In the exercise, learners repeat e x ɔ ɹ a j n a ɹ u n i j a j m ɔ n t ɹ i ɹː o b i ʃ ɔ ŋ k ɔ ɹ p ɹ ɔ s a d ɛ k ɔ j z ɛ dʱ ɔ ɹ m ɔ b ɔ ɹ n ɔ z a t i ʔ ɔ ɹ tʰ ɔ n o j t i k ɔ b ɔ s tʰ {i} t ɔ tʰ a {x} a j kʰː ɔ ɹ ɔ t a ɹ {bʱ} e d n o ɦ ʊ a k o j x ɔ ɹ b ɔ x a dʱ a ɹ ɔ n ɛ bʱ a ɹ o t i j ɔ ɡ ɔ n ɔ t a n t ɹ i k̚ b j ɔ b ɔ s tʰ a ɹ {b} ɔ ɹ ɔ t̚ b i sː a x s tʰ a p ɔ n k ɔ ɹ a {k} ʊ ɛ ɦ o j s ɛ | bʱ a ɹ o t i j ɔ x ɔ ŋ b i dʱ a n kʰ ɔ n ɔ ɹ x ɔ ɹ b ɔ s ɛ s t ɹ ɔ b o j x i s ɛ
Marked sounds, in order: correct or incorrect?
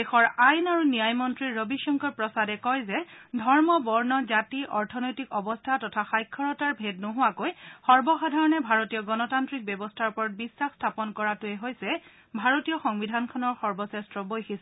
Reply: incorrect: a, correct, correct, incorrect: p, incorrect: t

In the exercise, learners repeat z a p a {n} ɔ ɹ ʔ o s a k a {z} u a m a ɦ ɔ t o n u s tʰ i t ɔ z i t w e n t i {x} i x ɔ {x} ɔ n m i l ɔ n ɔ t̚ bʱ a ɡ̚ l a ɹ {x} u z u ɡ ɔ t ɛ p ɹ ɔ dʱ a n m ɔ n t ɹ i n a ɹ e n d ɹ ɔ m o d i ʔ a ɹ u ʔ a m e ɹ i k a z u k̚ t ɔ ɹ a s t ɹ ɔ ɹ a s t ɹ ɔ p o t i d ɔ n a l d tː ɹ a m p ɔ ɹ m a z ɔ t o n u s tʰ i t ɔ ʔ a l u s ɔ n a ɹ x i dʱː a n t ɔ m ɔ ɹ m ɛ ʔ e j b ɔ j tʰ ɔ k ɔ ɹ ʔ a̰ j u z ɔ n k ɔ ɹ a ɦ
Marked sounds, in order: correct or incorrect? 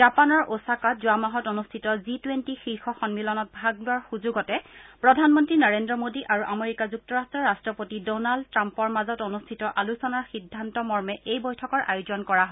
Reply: correct, correct, correct, correct, correct

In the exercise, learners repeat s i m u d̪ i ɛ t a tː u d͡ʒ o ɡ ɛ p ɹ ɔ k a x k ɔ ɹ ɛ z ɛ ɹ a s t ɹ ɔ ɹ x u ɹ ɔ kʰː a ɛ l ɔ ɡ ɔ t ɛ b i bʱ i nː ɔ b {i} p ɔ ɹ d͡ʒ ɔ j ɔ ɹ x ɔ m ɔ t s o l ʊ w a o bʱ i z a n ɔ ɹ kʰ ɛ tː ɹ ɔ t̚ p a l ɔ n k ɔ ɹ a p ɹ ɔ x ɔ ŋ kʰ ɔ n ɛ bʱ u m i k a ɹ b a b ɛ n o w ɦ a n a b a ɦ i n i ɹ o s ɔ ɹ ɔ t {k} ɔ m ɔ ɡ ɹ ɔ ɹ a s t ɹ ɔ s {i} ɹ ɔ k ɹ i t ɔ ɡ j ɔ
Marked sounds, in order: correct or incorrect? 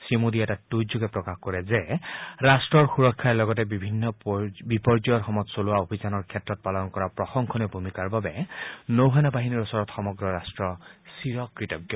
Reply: correct, incorrect: x, correct

